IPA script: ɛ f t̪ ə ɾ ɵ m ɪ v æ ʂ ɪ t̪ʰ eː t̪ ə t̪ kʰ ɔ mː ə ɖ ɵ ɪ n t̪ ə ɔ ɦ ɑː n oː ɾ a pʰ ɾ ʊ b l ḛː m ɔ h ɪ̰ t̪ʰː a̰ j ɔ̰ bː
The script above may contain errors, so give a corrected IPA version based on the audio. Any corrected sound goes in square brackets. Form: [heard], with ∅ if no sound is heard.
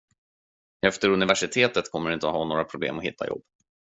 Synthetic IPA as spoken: ɛ f t̪ ə ɾ ɵ [n] ɪ v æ ʂ ɪ t̪ʰ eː t̪ ə t̪ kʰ ɔ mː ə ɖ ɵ ɪ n t̪ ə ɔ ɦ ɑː n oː ɾ a pʰ ɾ ʊ b l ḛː m ɔ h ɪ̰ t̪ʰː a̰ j ɔ̰ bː